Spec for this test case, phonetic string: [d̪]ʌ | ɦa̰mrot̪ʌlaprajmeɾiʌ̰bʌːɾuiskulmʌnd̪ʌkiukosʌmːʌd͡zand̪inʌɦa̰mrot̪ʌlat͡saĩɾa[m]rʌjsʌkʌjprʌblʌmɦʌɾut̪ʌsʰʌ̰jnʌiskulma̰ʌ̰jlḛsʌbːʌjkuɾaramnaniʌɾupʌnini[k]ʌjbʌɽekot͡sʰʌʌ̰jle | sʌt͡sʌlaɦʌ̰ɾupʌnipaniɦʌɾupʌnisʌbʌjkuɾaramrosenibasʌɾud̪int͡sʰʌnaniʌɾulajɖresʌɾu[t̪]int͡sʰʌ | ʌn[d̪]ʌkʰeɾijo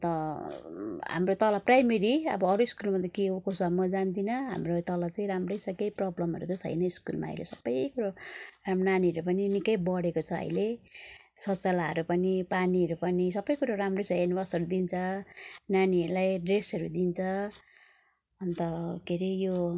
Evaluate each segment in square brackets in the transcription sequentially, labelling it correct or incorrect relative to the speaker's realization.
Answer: incorrect: t̪, correct, correct, incorrect: d̪, incorrect: t̪

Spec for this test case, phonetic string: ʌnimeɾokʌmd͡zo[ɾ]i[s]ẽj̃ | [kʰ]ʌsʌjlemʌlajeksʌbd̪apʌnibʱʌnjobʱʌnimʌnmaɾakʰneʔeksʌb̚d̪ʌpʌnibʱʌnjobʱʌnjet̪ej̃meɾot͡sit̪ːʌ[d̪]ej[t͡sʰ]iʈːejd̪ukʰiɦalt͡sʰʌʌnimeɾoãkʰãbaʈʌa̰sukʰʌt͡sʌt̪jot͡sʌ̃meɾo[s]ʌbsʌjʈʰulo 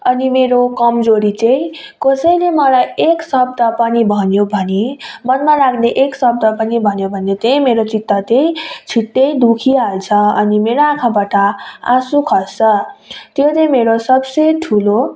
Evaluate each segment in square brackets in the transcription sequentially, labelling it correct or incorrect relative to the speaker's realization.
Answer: correct, incorrect: t͡s, incorrect: k, incorrect: t̪, correct, correct

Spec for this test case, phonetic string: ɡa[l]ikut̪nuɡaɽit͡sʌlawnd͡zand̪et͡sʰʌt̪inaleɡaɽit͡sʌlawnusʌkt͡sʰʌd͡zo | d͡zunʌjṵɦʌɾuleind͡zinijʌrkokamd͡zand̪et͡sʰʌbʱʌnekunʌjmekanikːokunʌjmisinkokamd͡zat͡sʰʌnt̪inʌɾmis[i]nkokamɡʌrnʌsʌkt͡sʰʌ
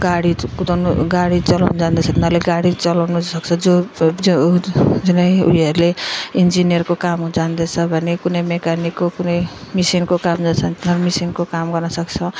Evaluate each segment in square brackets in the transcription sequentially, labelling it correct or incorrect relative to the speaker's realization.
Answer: incorrect: ɽ, correct

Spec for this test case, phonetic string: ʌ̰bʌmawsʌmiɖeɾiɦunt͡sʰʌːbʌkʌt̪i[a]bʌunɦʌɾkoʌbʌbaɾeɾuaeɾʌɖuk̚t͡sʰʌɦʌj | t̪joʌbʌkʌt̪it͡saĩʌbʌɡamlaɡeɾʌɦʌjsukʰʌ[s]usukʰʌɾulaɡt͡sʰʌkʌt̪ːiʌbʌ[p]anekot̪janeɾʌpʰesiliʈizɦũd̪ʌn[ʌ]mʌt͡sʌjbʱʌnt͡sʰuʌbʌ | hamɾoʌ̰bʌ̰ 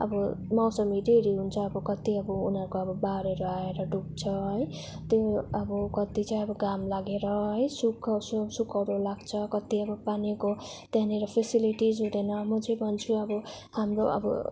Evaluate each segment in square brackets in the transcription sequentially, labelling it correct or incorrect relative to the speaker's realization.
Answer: incorrect: ʌ, correct, correct, correct

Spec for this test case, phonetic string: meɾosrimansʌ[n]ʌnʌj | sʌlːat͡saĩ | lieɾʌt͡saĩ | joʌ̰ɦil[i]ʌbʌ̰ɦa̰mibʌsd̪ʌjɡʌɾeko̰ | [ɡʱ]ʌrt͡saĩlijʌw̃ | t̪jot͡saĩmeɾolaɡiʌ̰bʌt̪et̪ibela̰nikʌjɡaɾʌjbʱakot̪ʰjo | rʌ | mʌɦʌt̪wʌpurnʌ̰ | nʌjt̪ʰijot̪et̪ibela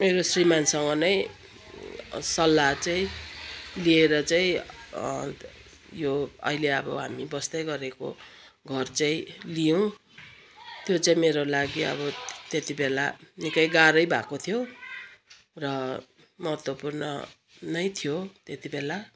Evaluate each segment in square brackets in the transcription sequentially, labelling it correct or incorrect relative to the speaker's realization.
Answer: incorrect: ŋ, incorrect: e, correct

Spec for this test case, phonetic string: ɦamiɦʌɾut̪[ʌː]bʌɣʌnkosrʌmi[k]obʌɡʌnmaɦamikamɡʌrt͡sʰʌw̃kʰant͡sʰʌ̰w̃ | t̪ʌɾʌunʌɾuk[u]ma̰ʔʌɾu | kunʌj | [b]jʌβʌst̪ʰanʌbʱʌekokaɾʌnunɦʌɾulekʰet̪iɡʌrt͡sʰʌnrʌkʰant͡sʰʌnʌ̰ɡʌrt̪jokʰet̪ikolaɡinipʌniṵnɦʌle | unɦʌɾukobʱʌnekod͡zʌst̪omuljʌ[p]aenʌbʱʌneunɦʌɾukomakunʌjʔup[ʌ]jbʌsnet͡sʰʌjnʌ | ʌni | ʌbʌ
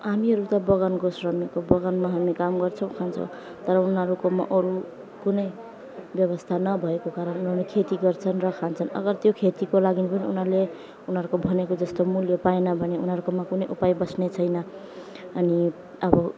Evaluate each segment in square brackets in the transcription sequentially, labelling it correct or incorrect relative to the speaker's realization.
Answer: incorrect: ʌ, correct, incorrect: o, correct, correct, incorrect: a

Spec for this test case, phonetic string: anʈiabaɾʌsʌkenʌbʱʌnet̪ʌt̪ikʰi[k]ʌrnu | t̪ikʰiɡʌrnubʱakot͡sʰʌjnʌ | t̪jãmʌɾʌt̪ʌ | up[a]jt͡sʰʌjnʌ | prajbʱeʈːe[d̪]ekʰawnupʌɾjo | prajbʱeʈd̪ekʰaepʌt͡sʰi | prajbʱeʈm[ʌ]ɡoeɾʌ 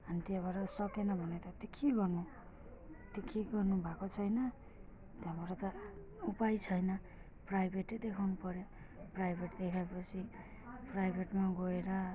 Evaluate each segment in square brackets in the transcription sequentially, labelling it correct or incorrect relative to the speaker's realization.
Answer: incorrect: ɡ, correct, correct, incorrect: a

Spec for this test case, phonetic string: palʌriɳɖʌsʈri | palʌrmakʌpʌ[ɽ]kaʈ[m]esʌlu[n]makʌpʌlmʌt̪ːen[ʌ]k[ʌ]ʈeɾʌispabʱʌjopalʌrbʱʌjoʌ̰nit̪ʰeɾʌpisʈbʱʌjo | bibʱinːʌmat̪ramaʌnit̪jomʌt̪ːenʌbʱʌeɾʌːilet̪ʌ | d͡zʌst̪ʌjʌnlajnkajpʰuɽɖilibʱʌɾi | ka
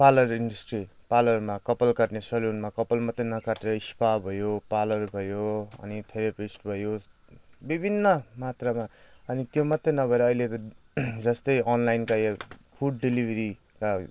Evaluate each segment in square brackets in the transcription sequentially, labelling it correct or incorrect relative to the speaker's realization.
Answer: incorrect: l, incorrect: n, correct, correct, incorrect: a

